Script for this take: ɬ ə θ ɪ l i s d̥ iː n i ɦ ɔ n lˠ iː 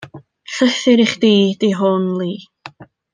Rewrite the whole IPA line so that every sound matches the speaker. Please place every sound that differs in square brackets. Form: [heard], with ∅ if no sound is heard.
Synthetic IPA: ɬ ə θ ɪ [ɾ] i [χ] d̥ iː [d] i ɦ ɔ n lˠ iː